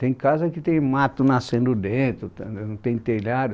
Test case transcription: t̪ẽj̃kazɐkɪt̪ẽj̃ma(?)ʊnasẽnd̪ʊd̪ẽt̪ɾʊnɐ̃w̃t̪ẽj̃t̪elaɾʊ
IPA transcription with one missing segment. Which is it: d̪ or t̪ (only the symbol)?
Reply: t̪